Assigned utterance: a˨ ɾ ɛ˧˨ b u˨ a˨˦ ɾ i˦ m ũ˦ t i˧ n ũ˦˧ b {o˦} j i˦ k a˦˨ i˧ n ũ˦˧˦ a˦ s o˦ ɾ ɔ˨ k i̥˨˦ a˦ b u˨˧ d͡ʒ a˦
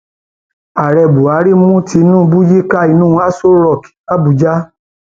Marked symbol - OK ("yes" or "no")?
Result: no